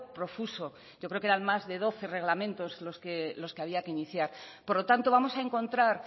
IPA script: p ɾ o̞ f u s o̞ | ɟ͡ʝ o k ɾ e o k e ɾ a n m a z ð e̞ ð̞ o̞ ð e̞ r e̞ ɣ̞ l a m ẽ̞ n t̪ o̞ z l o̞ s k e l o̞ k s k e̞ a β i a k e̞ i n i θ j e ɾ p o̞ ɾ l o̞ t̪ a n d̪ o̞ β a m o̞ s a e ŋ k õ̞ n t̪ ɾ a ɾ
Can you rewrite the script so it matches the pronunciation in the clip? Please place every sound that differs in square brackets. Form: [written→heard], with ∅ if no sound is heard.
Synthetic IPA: p ɾ o̞ f u s o̞ | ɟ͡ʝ o k ɾ e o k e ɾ a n m a z ð e̞ ð̞ o̞ [ð→θ] e̞ r e̞ ɣ̞ l a m ẽ̞ n t̪ o̞ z l o̞ s k e l o̞ [k→∅] s k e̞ a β i a k e̞ i n i θ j [e→a] ɾ p o̞ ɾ l o̞ t̪ a n [d̪→t̪] o̞ β a m o̞ s a e ŋ k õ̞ n t̪ ɾ a ɾ